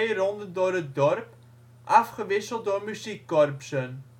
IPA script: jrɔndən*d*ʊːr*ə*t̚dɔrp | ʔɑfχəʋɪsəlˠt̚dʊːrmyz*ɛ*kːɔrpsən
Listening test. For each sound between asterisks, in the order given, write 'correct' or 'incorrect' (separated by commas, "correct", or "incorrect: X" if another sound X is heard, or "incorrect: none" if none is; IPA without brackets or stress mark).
correct, correct, incorrect: i